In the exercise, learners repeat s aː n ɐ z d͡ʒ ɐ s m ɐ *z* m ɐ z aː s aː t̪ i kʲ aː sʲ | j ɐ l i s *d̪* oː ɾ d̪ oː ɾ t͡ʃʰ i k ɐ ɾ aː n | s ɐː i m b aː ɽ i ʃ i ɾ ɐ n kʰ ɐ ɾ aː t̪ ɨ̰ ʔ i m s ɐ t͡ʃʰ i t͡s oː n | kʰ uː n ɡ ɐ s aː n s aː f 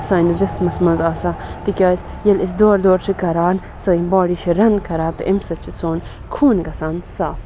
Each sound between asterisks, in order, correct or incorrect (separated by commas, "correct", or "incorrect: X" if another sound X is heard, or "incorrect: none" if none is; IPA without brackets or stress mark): incorrect: s, correct